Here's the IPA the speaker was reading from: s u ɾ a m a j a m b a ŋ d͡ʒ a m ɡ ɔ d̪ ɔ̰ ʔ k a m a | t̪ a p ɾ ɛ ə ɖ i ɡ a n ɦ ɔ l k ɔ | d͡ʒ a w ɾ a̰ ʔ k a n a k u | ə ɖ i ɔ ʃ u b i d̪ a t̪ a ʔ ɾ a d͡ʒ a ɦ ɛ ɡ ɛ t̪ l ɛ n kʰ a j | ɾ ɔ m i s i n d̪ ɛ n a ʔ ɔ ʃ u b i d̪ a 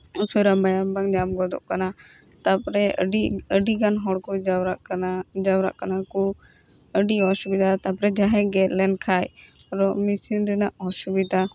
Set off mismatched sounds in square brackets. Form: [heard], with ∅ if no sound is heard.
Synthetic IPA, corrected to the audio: s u ɾ a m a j a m b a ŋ d͡ʒ a m ɡ ɔ d̪ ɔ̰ ʔ k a [n] a | t̪ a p ɾ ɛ ə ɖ i ɡ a n ɦ ɔ [ɽ] k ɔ | d͡ʒ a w ɾ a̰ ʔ k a n a k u | ə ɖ i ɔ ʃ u b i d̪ a t̪ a [p] ɾ [ɛ] d͡ʒ a ɦ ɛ ɡ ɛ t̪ l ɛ n kʰ a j | ɾ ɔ m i s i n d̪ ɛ n a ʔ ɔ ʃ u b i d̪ a